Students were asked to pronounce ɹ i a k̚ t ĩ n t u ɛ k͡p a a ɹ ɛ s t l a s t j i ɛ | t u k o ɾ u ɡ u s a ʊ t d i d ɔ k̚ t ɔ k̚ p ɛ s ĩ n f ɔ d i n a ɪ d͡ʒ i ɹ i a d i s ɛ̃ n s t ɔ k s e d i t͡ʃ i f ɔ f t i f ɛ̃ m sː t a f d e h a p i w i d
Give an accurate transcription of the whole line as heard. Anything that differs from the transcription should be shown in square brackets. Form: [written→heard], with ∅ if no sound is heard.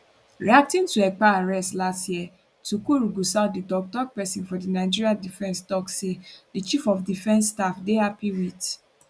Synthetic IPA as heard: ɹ i a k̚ t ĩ n t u ɛ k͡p a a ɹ ɛ s t l a s t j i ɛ | t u k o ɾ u ɡ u s a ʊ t d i d ɔ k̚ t ɔ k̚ p ɛ s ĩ n f ɔ d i n a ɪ d͡ʒ i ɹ i a d i [s→f] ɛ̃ n s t ɔ k s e d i t͡ʃ i f ɔ f [t→d] i f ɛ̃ [m→n] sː t a f d e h a p i w i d